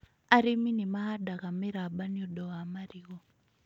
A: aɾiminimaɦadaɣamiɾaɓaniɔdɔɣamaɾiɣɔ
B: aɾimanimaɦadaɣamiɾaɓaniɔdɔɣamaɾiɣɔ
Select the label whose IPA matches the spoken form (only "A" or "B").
A